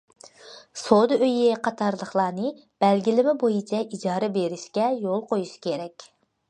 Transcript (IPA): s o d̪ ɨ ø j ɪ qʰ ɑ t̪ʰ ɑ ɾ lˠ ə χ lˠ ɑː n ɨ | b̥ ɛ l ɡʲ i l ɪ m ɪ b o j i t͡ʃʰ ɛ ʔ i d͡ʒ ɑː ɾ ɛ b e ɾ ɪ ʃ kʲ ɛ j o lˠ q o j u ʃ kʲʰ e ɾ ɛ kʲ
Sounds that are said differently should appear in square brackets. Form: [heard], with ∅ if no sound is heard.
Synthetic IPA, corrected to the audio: s o d̪ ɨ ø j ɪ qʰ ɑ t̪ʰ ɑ ɾ lˠ ə χ lˠ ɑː n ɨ | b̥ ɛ l ɡʲ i l ɪ m ɪ b o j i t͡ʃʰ ɛ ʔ i d͡ʒ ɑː ɾ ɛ b e ɾ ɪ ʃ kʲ ɛ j o lˠ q o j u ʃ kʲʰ e ɾ ɛ kʲ